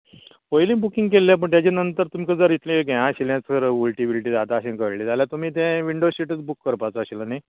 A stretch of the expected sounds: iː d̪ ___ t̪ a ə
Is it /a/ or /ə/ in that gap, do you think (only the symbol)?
a